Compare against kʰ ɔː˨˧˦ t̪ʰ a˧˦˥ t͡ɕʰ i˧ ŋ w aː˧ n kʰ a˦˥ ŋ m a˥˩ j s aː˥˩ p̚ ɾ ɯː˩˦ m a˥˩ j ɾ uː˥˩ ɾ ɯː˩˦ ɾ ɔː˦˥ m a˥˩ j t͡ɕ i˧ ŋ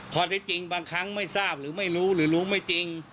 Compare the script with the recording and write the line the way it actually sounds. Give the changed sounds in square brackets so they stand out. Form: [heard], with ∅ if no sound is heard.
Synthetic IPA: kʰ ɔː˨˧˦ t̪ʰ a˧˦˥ [t͡ɕ] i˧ ŋ [b] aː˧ [ŋ] kʰ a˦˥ ŋ m a˥˩ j s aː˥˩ p̚ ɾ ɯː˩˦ m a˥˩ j ɾ [uː˦˥] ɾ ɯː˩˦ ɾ [uː˦˥] m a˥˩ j t͡ɕ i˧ ŋ